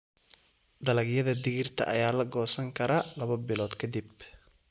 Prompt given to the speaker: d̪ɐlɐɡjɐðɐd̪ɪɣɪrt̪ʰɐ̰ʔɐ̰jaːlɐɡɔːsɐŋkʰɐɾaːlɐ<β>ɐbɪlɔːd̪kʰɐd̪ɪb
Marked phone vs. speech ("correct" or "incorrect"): correct